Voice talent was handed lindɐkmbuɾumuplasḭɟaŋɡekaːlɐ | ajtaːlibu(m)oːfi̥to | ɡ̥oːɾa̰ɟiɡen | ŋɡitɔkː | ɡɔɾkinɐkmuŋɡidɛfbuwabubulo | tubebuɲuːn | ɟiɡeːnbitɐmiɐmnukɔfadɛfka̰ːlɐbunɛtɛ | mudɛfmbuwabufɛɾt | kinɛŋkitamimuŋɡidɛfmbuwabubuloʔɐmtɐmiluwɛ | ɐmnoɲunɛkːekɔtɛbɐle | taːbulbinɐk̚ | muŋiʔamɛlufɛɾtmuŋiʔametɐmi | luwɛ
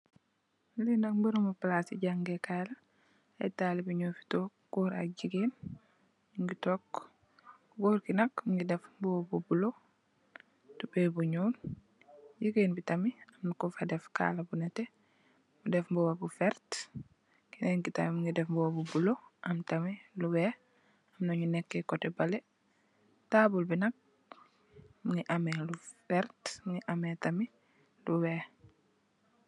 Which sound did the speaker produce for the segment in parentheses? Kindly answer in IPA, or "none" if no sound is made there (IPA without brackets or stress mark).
ɲ